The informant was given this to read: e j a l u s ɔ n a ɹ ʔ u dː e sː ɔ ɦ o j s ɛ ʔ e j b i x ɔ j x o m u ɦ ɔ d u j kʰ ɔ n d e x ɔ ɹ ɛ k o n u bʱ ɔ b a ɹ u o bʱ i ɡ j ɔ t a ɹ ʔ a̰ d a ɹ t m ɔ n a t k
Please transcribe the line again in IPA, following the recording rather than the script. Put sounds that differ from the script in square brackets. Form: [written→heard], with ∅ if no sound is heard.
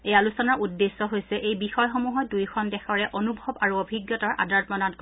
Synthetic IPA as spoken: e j a l u s ɔ n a ɹ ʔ u dː e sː ɔ ɦ o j s ɛ ʔ e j b i x ɔ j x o m u ɦ ɔ d u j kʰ ɔ n d [e→ɛ] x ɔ ɹ ɛ [k→ʔ] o n u bʱ ɔ b a ɹ u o bʱ i ɡ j ɔ t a ɹ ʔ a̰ d a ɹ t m ɔ n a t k